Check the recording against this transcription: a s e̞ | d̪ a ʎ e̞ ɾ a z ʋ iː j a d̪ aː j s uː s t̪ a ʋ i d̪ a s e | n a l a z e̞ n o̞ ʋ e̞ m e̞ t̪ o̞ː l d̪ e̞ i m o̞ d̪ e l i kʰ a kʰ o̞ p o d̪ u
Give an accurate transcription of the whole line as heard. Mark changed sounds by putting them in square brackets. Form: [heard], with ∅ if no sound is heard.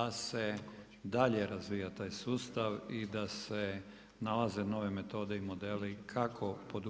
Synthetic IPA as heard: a s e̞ | d̪ a ʎ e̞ ɾ a z ʋ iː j a [t̪] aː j s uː s t̪ a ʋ i d̪ a s e | n a l a z e̞ n o̞ ʋ e̞ m e̞ t̪ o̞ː [∅] d̪ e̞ i m o̞ d̪ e l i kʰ a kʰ o̞ p o d̪ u